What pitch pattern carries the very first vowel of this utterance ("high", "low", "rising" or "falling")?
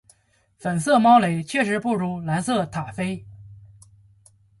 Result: low